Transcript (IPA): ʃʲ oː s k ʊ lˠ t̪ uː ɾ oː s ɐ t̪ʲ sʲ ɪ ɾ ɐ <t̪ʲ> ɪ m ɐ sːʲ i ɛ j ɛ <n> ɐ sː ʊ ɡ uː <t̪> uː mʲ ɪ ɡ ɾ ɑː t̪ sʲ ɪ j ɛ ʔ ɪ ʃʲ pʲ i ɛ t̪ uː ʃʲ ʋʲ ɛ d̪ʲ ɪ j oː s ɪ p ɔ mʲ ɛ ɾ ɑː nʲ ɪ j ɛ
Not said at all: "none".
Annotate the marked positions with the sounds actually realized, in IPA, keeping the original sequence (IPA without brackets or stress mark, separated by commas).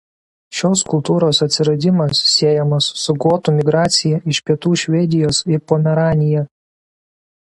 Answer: d̪ʲ, m, t̪